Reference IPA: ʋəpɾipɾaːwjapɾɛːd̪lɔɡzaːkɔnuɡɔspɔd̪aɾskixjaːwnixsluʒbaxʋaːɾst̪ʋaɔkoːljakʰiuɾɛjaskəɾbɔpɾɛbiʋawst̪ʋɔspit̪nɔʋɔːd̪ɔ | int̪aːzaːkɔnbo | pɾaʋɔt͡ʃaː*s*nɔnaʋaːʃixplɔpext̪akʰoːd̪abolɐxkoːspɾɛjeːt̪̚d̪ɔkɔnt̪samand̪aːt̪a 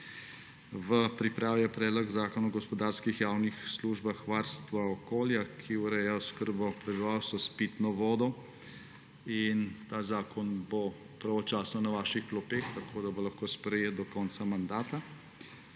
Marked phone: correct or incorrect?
correct